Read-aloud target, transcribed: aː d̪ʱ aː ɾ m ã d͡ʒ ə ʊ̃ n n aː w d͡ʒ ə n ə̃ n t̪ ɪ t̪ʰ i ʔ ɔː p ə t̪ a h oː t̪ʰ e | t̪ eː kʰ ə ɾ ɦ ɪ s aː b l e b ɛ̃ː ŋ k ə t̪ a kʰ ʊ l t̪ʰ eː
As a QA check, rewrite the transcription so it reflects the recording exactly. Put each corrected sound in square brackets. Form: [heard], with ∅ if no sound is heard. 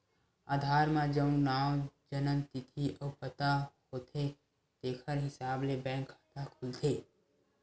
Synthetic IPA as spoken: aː d̪ʱ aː ɾ m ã d͡ʒ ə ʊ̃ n n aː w d͡ʒ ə n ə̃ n t̪ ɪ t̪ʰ i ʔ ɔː p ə t̪ a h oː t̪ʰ e | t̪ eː kʰ ə ɾ ɦ ɪ s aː b l e b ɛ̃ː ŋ k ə t̪ a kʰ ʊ l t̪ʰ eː